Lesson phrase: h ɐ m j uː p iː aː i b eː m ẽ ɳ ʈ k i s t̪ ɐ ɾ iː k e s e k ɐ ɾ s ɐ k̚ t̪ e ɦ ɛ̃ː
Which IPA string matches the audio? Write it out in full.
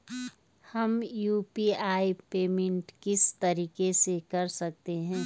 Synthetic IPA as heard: h ɐ m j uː p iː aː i p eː m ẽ ɳ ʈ k ɪ s t̪ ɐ ɾ iː k e s e k ɐ ɾ s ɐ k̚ t̪ e ɦ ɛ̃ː